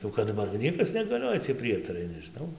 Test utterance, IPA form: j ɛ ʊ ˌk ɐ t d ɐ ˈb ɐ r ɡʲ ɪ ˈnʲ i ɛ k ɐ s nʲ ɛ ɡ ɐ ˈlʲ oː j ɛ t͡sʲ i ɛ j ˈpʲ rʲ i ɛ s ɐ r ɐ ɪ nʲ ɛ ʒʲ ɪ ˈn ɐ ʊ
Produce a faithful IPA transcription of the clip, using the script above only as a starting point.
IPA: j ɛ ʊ ˌk ɐ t d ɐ ˈb ɐ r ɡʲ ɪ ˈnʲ i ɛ k ɐ s nʲ ɛ ɡ ɐ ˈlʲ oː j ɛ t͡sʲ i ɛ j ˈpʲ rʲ i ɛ t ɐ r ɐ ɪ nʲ ɛ ʒʲ ɪ ˈn ɐ ʊ